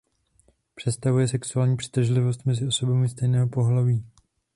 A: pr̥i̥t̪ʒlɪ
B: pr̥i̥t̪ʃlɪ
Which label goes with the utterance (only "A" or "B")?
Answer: A